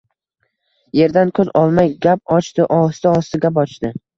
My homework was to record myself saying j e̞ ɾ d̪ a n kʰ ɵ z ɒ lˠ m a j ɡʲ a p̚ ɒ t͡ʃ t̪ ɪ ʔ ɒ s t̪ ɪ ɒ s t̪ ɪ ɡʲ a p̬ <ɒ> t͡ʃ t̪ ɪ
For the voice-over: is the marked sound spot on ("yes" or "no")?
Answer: yes